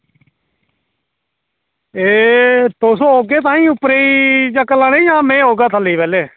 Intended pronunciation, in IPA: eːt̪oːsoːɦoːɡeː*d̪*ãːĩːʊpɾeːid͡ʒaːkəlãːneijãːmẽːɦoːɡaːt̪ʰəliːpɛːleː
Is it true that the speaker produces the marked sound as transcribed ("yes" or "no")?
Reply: no